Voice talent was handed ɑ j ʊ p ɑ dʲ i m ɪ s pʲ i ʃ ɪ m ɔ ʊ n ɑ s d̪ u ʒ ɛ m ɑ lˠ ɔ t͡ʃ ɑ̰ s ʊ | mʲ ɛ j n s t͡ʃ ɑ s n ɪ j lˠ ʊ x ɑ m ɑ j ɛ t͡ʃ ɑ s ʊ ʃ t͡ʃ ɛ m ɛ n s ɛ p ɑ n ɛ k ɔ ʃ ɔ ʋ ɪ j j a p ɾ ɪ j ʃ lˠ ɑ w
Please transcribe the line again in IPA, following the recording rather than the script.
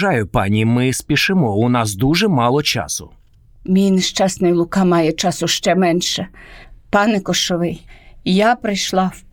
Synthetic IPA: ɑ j ʊ p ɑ nʲ i m ɪ s pʲ i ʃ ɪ m ɔ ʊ n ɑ s d̪ u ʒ ɛ m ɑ lˠ ɔ t͡ʃ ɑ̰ s ʊ | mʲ i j n ʃ t͡ʃ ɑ s n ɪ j lˠ ʊ k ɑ m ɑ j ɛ t͡ʃ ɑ s ʊ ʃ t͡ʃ ɛ m ɛ n ʃ ɛ p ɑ n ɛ k ɔ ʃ ɔ ʋ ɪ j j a p ɾ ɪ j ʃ lˠ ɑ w